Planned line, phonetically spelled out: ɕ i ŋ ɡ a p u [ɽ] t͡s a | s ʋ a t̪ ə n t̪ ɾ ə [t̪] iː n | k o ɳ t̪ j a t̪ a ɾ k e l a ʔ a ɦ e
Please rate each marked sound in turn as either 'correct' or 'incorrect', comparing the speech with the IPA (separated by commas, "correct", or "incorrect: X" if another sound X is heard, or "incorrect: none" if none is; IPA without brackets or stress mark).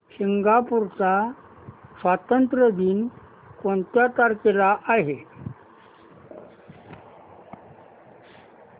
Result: incorrect: ɾ, incorrect: d̪